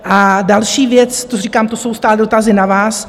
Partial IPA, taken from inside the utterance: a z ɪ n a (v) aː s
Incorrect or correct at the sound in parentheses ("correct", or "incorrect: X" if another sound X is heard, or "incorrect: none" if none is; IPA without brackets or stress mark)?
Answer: correct